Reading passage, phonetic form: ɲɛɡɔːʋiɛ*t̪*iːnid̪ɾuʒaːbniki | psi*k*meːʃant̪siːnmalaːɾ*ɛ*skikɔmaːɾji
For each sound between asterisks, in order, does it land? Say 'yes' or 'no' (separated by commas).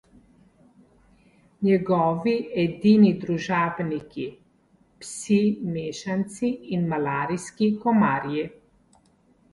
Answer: no, no, no